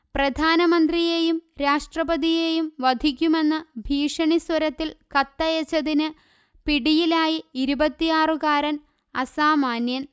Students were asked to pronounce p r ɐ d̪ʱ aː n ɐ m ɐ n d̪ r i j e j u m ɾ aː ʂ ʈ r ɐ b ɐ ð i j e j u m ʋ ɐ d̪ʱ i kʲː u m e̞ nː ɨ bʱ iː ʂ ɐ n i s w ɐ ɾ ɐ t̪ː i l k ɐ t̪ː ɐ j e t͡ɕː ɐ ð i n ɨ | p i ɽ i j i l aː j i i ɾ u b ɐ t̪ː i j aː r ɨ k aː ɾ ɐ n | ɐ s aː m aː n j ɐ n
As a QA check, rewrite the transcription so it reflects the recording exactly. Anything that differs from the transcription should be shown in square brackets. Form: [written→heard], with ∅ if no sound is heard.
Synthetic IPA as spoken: p r ɐ d̪ʱ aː n ɐ m ɐ n d̪ r i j e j u m ɾ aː ʂ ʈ r ɐ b ɐ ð i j e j u m ʋ ɐ d̪ʱ i kʲː u m e̞ nː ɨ bʱ iː ʂ ɐ [n→ɳ] i s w ɐ ɾ ɐ t̪ː i l k ɐ t̪ː ɐ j e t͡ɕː ɐ ð i n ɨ | p i ɽ i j i l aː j i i ɾ u b ɐ t̪ː i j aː r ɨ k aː ɾ ɐ n | ɐ s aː m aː n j ɐ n